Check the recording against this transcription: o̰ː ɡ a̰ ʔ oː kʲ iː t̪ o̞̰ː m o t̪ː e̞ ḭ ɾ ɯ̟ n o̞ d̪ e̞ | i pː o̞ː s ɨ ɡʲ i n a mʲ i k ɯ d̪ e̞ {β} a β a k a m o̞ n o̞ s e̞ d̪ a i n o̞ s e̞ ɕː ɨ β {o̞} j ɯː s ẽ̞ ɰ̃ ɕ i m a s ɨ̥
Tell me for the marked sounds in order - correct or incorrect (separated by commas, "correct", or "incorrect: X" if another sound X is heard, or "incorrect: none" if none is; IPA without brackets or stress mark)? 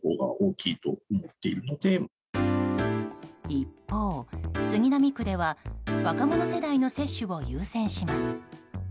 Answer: correct, correct